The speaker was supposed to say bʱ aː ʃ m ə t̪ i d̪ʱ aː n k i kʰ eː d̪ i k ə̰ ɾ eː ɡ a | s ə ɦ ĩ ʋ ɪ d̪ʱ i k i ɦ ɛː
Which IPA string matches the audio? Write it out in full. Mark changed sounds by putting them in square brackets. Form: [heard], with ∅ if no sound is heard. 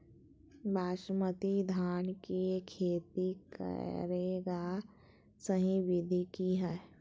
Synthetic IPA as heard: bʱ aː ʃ m ə t̪ i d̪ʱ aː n k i kʰ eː [t̪] i k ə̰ ɾ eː ɡ a | s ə ɦ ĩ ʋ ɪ d̪ʱ i k i ɦ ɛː